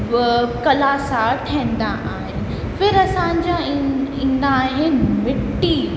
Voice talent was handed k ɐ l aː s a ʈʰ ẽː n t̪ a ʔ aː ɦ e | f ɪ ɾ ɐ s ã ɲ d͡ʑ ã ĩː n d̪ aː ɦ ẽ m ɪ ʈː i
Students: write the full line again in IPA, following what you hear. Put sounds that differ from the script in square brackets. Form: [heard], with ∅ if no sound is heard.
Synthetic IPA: k ɐ l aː s a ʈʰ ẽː n [d̪] a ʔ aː ɦ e | f ɪ ɾ ɐ s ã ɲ d͡ʑ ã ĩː n d̪ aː ɦ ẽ m ɪ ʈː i

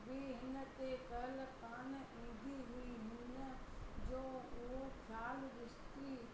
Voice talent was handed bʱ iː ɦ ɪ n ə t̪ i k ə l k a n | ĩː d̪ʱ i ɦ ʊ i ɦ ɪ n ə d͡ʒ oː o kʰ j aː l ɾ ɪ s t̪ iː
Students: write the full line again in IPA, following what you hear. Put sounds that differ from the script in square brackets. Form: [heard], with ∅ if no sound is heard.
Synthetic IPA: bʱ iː ɦ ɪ n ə t̪ [e] k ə l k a n | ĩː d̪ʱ i ɦ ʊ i ɦ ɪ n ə d͡ʒ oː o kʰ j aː l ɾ ɪ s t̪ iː

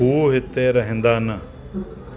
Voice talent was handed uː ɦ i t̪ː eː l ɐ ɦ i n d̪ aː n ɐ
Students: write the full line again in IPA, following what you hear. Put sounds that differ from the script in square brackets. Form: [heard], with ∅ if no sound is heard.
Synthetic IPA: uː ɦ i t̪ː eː [ɾ] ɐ ɦ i n d̪ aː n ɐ

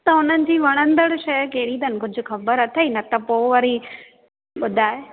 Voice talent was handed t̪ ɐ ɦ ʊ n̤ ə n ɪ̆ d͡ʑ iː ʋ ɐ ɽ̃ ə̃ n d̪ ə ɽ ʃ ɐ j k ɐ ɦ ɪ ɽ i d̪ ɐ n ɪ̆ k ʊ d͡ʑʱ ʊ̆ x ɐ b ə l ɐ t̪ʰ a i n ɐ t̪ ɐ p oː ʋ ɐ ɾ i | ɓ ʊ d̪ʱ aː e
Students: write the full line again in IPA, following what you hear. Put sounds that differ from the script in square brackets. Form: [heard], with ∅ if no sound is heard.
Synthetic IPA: t̪ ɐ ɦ ʊ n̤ ə n ɪ̆ d͡ʑ iː ʋ ɐ ɽ̃ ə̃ n d̪ ə ɽ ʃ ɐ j k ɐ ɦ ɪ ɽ i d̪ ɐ n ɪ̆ k ʊ d͡ʑʱ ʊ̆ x ɐ b ə [ɾ] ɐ t̪ʰ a i n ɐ t̪ ɐ p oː ʋ ɐ ɾ i | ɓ ʊ d̪ʱ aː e

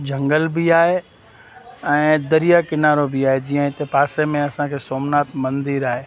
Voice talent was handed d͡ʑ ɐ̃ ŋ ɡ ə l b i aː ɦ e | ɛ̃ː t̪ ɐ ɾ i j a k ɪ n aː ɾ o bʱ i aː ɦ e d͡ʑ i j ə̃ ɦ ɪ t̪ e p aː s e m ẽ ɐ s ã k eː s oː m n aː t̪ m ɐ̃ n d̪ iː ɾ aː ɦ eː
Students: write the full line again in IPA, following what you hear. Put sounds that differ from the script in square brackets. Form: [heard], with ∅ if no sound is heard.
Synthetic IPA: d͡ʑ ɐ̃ ŋ ɡ ə l b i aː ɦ e | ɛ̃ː [d̪] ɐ ɾ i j a k ɪ n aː ɾ o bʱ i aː ɦ e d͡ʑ i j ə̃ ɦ ɪ t̪ e p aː s e m ẽ ɐ s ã [kʰ] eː s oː m n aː t̪ m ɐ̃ n d̪ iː ɾ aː ɦ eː

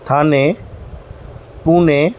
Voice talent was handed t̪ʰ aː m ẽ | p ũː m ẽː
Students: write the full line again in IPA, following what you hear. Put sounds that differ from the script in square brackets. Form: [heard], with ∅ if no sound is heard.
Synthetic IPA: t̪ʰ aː [n] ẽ | p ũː [n] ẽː

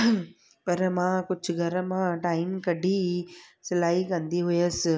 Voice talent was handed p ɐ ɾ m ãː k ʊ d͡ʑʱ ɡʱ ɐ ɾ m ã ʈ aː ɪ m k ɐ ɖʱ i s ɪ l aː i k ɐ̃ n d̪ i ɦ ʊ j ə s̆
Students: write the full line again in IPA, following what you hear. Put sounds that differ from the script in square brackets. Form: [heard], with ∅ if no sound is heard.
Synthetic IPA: p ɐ ɾ m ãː k ʊ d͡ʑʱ ɡʱ ɐ ɾ m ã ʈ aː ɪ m k ɐ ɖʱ i s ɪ l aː i k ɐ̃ n d̪ i ɦ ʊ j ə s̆

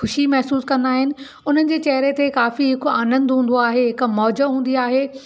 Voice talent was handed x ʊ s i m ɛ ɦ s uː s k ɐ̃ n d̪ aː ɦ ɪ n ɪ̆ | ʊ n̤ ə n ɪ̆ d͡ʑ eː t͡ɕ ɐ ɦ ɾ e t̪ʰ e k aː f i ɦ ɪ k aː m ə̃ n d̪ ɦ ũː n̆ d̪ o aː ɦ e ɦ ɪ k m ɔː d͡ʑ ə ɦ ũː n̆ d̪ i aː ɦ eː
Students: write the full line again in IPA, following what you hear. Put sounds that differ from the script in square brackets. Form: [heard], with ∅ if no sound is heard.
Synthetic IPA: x ʊ [ʃ] i m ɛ ɦ s uː s k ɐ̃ n d̪ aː ɦ ɪ n ɪ̆ | ʊ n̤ ə n ɪ̆ d͡ʑ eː t͡ɕ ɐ ɦ ɾ e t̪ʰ e k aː f i ɦ ɪ k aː [n] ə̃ n d̪ ɦ ũː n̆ d̪ o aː ɦ e ɦ ɪ k m ɔː d͡ʑ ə ɦ ũː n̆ d̪ i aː ɦ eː

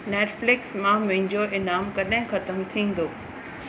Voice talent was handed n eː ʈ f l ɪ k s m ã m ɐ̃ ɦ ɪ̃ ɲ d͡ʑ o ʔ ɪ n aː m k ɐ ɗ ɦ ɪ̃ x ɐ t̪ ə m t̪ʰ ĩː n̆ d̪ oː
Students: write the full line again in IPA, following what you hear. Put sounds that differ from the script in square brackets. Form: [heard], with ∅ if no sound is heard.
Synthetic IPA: n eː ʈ f l ɪ k s m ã m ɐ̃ ɦ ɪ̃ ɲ d͡ʑ o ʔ ɪ n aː m k ɐ ɗ ɦ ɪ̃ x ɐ t̪ ə m t̪ʰ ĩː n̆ d̪ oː

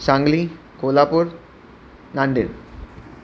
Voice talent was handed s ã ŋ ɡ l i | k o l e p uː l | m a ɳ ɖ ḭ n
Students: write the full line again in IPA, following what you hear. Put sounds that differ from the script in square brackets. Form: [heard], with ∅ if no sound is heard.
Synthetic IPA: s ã ŋ ɡ l i | k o l [a] p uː [ɾ] | [n] a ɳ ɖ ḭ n

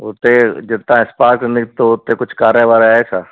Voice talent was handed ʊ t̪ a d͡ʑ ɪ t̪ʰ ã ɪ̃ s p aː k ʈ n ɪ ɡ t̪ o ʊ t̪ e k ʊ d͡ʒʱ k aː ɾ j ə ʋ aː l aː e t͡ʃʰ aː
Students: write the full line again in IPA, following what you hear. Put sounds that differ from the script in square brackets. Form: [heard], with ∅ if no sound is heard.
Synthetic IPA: ʊ t̪ [e] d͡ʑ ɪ [t̪] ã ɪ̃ s p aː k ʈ n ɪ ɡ t̪ o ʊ t̪ e k ʊ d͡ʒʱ k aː ɾ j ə ʋ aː [ɾ] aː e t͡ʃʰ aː

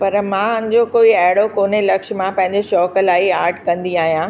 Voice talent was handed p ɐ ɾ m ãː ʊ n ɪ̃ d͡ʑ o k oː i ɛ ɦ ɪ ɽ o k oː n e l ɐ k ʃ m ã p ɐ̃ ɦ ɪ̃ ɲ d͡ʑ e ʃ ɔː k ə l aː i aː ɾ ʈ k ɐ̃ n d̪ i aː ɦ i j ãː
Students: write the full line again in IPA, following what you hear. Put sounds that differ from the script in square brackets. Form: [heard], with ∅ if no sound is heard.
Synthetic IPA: p ɐ ɾ m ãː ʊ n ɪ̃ d͡ʑ o k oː i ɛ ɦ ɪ ɽ o k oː n e l ɐ k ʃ m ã p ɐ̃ ɦ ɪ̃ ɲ d͡ʑ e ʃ ɔː k ə l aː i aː ɾ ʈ k ɐ̃ n d̪ i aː ɦ i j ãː

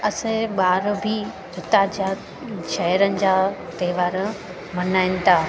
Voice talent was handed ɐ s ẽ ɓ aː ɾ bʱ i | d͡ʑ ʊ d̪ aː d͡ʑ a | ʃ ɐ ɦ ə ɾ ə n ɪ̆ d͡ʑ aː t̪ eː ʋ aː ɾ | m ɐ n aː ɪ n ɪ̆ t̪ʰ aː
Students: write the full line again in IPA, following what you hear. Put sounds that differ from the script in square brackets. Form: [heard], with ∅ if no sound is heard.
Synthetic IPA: ɐ s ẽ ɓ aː ɾ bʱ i | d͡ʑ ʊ [t̪] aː d͡ʑ a | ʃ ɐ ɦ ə ɾ ə n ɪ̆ d͡ʑ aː t̪ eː ʋ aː ɾ | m ɐ n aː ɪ n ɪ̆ t̪ʰ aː

